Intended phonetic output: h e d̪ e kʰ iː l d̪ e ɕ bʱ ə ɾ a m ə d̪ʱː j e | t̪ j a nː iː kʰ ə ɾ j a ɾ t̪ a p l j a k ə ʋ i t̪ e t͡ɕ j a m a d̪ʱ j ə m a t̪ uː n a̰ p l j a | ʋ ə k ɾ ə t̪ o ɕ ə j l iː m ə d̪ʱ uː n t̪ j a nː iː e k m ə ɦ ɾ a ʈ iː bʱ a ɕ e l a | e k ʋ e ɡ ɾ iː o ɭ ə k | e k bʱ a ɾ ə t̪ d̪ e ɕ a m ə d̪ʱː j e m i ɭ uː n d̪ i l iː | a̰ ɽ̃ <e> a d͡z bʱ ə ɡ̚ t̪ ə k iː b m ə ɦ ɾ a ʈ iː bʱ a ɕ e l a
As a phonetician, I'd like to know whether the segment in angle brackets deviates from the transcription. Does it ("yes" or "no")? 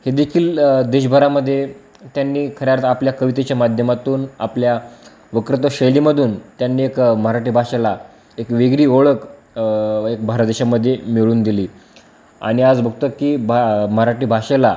yes